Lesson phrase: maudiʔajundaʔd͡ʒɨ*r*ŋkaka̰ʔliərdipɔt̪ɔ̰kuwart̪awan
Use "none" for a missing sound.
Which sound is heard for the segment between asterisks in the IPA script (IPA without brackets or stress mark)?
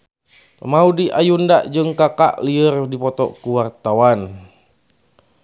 none